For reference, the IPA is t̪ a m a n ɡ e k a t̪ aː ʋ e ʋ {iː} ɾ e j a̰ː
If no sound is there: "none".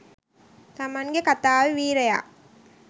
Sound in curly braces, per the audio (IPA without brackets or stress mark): iː